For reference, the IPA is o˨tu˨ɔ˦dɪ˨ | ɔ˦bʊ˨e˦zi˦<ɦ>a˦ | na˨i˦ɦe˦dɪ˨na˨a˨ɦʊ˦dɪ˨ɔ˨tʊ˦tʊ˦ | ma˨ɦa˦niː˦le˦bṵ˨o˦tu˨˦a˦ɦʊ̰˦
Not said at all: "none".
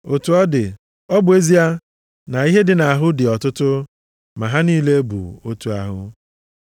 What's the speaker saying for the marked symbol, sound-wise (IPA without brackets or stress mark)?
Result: none